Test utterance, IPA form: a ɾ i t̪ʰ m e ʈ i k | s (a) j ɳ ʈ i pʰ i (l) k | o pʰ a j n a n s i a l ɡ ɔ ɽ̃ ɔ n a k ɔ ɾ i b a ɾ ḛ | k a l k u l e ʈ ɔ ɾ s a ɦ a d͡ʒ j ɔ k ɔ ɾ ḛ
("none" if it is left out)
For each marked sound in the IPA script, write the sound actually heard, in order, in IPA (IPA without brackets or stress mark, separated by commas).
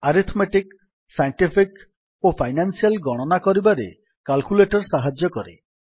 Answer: a, none